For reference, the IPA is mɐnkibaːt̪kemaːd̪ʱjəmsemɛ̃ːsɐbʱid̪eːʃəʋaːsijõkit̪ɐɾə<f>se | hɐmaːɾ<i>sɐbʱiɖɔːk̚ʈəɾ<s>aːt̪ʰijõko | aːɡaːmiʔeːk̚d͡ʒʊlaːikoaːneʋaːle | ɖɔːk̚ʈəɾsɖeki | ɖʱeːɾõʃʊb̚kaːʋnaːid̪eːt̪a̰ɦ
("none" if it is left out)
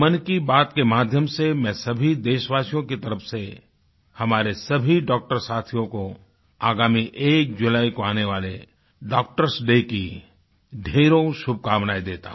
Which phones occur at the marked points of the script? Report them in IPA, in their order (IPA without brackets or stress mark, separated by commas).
f, e, s